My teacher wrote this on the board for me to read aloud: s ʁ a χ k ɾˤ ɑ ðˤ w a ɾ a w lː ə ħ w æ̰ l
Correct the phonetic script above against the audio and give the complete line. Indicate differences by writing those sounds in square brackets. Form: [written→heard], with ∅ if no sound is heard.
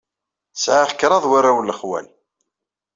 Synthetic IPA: s [ʁ→ʕ] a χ k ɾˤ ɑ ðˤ w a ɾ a w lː ə [ħ→χ] w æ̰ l